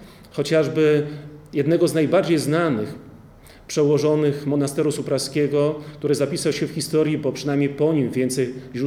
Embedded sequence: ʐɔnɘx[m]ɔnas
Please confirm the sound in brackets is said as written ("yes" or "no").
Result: yes